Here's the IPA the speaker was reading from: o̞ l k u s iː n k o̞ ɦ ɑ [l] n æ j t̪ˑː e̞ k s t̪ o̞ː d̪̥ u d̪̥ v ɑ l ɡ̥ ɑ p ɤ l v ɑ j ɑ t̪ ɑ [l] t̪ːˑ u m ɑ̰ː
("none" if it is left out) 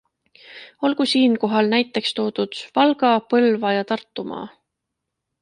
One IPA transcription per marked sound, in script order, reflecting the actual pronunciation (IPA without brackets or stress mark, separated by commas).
l, r